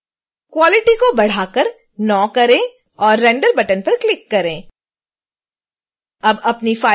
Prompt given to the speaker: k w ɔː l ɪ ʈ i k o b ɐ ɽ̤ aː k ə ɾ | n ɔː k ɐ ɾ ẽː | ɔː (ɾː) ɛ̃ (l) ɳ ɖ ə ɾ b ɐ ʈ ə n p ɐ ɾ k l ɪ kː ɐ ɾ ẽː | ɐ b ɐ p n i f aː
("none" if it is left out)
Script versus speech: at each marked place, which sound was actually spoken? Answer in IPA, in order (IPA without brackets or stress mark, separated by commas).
ɾː, none